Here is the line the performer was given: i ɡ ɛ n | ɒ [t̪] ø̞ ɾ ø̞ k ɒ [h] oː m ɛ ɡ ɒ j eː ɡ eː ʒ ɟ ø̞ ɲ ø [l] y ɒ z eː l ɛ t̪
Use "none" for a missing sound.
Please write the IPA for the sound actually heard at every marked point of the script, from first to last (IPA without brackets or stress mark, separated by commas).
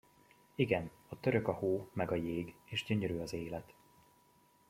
t̪, h, ɾ